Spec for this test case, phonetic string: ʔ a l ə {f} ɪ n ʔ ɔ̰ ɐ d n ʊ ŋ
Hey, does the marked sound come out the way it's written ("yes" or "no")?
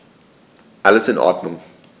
no